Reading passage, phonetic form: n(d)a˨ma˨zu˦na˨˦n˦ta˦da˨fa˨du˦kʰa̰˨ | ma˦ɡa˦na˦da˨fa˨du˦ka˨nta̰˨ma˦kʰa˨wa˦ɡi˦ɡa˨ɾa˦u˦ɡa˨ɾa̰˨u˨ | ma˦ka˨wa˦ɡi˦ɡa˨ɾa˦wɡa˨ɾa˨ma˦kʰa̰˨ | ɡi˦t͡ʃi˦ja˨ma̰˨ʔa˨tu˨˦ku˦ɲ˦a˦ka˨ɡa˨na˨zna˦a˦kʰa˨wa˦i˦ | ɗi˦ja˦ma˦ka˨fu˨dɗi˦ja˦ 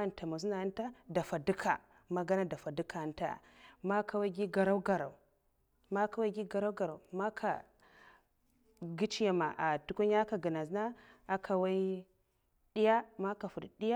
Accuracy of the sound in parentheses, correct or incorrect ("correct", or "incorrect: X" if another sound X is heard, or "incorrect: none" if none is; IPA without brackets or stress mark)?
incorrect: t